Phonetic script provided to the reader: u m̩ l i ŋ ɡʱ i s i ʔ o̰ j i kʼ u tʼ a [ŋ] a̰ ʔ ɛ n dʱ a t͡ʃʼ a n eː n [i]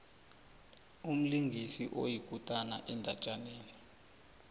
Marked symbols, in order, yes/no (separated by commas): no, yes